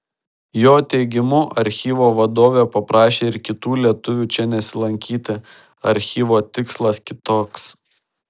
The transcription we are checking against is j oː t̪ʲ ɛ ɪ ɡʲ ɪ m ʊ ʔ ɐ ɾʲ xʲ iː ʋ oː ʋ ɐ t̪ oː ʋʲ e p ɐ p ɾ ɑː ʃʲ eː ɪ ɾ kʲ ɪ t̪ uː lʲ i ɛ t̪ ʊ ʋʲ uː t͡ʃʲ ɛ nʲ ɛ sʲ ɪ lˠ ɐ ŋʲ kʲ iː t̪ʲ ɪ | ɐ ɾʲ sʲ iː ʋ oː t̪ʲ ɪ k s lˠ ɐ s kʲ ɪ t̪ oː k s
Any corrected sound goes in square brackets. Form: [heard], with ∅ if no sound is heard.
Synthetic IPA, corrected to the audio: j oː t̪ʲ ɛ ɪ ɡʲ ɪ m ʊ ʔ ɐ ɾʲ xʲ iː ʋ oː ʋ ɐ [d̪] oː ʋʲ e p ɐ p ɾ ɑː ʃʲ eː ɪ ɾ kʲ ɪ t̪ uː lʲ i ɛ t̪ ʊ ʋʲ uː t͡ʃʲ ɛ nʲ ɛ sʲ ɪ lˠ ɐ ŋʲ kʲ iː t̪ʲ ɪ | ɐ ɾʲ [xʲ] iː ʋ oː t̪ʲ ɪ k s lˠ ɐ s kʲ ɪ t̪ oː k s